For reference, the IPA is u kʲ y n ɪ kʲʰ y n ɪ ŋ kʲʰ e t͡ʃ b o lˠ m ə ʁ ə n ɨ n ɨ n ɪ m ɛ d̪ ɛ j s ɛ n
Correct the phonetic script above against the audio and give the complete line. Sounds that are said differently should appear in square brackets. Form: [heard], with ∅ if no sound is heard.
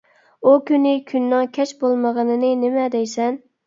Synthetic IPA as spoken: u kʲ y n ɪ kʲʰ y [nː] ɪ ŋ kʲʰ [ɛ] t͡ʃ b o lˠ m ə ʁ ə n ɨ n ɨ n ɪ m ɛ d̪ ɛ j s ɛ n